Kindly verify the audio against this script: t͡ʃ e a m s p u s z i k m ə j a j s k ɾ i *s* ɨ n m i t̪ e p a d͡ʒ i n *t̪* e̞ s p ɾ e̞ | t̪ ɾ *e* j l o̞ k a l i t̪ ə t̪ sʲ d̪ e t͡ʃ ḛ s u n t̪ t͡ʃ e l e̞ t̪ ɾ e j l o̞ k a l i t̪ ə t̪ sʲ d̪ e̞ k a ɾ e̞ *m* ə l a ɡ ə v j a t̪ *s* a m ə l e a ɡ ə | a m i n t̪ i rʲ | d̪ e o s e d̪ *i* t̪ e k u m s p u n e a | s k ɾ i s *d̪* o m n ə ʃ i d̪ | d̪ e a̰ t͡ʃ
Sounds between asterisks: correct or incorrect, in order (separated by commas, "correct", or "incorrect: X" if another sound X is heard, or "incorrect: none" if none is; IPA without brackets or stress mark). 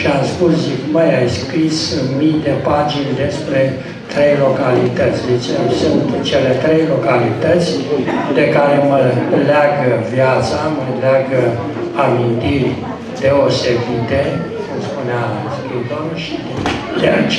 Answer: correct, incorrect: d̪, correct, correct, correct, correct, correct